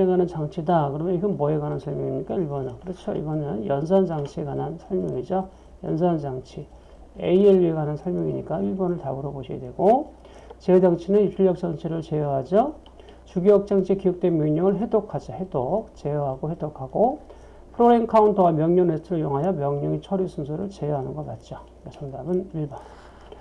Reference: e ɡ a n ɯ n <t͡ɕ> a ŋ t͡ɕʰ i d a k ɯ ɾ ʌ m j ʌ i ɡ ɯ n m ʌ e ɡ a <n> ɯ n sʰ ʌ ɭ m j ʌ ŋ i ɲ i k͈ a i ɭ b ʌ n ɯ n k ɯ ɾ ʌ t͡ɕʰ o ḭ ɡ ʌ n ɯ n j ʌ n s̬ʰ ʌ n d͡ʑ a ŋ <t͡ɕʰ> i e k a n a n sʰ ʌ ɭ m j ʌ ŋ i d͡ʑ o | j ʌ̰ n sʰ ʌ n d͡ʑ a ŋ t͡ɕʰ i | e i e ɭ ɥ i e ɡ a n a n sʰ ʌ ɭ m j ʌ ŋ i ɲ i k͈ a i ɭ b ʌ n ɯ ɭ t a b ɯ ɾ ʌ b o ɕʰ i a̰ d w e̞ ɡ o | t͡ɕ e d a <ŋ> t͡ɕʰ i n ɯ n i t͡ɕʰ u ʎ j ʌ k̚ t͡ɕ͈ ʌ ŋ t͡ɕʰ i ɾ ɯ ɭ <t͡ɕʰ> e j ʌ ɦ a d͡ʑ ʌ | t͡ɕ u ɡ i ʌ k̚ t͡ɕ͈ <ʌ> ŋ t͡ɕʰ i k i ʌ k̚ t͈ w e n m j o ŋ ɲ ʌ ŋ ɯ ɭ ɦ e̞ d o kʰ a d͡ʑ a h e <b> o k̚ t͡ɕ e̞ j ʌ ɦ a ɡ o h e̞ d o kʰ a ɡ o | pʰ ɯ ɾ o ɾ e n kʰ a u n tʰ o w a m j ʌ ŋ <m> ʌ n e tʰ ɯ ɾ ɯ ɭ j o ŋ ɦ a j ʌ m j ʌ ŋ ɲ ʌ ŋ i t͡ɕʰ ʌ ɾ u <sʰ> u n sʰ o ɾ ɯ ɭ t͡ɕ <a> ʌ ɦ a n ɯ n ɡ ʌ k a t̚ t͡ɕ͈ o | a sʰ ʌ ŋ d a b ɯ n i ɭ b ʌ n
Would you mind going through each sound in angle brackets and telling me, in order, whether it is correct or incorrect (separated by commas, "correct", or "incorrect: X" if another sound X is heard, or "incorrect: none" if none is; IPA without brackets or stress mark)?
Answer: correct, correct, correct, correct, incorrect: t͡ɕ, incorrect: a, incorrect: d, incorrect: ɲ, correct, incorrect: e